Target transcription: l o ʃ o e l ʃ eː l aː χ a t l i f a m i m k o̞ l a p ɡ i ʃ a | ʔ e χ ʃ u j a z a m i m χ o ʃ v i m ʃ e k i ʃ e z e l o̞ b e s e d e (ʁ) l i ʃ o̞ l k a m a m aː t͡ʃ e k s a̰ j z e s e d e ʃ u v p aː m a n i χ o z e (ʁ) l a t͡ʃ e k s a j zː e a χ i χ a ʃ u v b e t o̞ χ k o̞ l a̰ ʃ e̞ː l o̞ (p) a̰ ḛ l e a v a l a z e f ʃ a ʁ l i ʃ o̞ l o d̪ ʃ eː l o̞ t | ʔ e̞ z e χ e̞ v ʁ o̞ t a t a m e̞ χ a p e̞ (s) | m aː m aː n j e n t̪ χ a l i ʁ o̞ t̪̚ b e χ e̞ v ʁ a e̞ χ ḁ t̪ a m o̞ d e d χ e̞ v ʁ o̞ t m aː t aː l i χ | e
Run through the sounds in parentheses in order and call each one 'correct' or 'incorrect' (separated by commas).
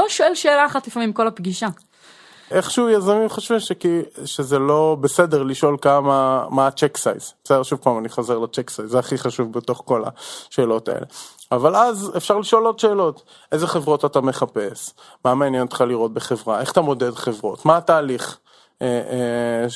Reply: correct, correct, incorrect, correct